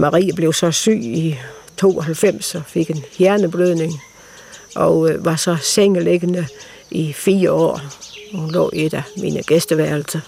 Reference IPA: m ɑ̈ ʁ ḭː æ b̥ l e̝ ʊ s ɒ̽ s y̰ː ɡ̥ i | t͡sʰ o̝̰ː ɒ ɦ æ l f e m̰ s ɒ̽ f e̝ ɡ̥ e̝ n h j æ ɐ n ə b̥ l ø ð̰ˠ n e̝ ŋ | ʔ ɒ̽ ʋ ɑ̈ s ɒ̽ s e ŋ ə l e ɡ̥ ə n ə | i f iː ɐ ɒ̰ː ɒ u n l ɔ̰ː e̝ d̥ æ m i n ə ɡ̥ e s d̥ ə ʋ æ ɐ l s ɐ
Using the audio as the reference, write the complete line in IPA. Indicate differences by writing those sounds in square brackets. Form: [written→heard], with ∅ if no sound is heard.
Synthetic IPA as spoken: m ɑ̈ ʁ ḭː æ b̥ l e̝ ʊ s ɒ̽ s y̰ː [ɡ̥→∅] i | t͡sʰ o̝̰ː ɒ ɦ æ l f e m̰ s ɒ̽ f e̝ ɡ̥ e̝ n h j æ ɐ n ə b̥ l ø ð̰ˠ n e̝ ŋ | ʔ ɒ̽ ʋ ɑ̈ s ɒ̽ s e ŋ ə l e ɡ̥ ə n ə | i f iː ɐ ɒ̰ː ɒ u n l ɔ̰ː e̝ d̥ æ m i n ə ɡ̥ e s d̥ ə ʋ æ ɐ l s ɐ